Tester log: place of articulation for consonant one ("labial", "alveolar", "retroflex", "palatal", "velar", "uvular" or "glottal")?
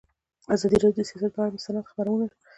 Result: alveolar